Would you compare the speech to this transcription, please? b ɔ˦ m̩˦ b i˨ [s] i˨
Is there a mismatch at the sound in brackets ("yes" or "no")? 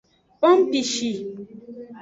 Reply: yes